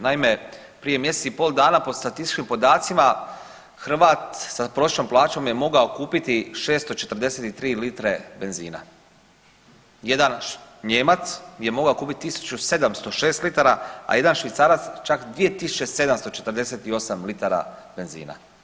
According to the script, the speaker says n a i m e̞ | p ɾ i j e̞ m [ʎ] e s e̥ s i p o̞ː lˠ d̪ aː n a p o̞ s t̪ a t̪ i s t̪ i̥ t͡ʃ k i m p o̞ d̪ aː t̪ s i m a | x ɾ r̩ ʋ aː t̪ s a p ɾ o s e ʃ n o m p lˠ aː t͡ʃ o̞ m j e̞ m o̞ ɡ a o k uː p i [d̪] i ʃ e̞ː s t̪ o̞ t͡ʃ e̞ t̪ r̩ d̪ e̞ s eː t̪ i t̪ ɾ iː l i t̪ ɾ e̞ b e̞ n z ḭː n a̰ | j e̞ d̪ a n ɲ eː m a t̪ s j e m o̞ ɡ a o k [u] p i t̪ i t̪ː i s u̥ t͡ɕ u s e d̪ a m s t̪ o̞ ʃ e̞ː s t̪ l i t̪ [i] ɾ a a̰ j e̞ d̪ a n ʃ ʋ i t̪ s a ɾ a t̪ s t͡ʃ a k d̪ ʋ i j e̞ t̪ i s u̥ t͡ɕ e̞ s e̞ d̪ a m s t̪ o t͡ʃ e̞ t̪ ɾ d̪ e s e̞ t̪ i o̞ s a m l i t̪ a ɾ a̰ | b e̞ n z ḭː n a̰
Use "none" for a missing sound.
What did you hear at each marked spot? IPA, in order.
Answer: j, t̪, uː, a

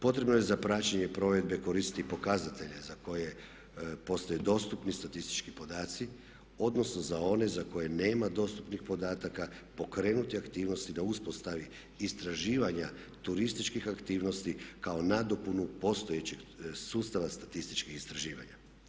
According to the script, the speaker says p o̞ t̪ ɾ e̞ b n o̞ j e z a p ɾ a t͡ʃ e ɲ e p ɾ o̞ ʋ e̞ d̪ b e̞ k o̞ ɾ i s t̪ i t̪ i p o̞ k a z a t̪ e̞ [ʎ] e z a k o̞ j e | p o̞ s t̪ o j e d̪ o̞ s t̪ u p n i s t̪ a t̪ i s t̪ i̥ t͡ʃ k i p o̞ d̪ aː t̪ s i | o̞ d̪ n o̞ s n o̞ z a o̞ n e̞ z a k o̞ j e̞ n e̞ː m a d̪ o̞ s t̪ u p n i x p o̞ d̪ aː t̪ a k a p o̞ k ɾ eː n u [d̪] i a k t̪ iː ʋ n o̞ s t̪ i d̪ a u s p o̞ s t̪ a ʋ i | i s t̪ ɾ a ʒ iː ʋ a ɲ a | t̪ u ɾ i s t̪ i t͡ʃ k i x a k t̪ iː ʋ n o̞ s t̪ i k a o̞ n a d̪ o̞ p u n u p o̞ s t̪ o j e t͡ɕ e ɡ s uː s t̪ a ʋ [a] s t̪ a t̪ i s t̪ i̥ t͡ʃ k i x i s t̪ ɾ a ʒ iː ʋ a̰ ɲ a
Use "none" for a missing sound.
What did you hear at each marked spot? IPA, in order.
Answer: ʎ, t̪, a

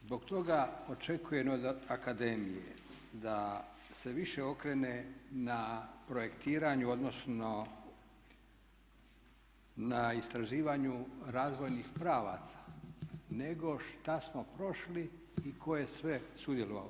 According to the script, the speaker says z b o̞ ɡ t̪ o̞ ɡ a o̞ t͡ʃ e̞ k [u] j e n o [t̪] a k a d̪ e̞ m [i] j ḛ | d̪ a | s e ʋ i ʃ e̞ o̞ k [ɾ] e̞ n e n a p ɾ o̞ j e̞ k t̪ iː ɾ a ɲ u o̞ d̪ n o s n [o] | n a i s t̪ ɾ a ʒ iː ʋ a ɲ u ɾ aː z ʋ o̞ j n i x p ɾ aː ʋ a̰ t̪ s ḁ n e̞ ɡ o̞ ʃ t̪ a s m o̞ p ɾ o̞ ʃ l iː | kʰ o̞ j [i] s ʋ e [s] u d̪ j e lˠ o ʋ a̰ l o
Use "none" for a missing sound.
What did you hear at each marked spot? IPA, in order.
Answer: u, d̪, i, ɾ, o, e, s

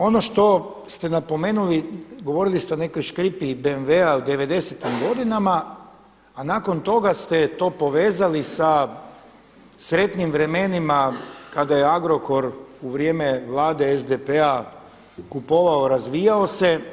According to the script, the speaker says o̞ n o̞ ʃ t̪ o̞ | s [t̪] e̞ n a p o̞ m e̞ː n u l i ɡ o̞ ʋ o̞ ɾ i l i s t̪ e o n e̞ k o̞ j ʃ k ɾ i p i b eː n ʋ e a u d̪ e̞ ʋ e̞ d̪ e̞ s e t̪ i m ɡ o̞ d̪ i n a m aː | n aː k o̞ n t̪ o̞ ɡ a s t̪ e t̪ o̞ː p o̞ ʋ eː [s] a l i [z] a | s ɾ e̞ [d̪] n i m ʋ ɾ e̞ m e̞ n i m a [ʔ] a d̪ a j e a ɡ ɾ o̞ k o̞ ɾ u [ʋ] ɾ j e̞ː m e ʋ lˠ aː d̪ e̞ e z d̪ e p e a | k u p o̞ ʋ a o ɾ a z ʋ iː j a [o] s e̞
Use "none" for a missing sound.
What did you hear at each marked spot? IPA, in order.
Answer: t̪, z, s, t̪, k, ʋ, o

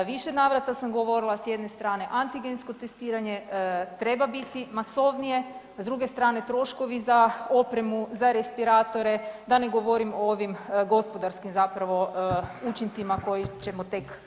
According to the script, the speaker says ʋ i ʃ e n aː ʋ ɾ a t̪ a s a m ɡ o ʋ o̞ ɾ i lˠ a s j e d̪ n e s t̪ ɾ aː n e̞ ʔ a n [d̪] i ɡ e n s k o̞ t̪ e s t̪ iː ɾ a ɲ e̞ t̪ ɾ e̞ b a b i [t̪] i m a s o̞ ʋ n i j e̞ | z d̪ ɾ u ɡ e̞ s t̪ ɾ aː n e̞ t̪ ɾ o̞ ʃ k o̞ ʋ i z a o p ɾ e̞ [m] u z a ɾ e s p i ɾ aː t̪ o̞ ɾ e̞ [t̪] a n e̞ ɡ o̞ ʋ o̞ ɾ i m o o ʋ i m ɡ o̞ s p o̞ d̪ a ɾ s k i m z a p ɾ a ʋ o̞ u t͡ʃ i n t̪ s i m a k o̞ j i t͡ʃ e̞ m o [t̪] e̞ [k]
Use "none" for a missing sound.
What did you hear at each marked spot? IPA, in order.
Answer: t̪, t̪, m, d̪, t̪, k

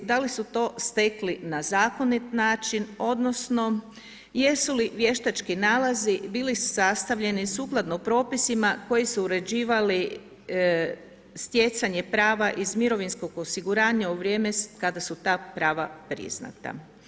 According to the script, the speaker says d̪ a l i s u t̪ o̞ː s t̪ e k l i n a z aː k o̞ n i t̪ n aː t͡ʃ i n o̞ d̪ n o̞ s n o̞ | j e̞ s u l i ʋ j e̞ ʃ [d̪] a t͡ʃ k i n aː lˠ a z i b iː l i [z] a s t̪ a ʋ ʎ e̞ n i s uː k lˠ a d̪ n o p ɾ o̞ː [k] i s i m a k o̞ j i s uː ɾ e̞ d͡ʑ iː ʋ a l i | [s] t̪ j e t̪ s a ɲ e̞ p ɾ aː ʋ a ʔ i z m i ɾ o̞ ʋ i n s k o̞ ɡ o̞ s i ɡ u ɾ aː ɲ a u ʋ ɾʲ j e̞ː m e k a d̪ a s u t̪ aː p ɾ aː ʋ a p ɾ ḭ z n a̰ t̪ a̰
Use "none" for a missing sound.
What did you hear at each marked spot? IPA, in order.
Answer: t̪, s, p, s

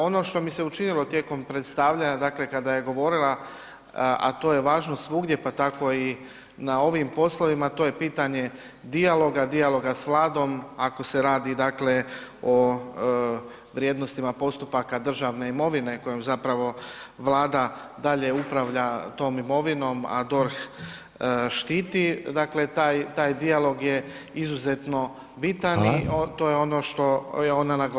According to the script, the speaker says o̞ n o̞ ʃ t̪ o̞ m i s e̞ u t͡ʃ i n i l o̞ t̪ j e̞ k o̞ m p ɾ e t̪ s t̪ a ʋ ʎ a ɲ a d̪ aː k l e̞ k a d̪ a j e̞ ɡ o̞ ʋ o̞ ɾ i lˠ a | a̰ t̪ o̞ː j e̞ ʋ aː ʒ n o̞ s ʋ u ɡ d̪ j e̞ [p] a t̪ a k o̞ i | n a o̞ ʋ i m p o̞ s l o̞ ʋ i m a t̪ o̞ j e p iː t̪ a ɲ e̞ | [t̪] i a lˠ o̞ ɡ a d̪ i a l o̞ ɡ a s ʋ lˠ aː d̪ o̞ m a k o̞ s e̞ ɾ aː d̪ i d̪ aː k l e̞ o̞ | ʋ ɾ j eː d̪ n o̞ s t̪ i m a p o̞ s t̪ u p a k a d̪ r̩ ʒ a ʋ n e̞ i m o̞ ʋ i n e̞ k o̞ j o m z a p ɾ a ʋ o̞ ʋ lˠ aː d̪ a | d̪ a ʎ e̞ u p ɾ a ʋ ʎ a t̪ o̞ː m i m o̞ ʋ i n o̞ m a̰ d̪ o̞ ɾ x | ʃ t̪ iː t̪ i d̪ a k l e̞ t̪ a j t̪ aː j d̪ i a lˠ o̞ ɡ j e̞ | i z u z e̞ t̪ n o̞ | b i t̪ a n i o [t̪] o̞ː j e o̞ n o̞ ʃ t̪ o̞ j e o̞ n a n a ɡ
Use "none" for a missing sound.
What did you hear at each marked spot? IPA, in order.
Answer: p, d̪, t̪

